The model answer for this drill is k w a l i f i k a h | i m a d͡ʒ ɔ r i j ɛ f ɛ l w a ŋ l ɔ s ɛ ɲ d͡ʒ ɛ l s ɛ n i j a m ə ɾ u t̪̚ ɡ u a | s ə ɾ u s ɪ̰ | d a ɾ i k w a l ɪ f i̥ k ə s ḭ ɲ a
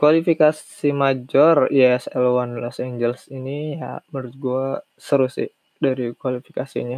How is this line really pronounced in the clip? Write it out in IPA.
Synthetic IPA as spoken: k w a l i f i k a s | i m a d͡ʒ ɔ r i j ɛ s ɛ l w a n l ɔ s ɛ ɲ d͡ʒ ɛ l s i n i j a m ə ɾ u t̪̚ ɡ u a | s ə ɾ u s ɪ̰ | d a ɾ i k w a l i f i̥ k a s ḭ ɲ a